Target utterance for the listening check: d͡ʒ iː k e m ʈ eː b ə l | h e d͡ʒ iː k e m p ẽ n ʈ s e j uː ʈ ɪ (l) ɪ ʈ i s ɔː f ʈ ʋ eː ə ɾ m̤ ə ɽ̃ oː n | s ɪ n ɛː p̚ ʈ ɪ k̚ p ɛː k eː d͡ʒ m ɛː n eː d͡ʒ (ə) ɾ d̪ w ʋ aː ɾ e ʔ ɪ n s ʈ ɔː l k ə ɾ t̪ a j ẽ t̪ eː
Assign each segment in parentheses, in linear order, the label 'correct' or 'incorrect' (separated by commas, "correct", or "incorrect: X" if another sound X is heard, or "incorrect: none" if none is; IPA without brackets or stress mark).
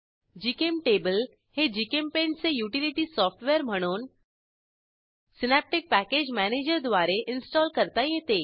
correct, correct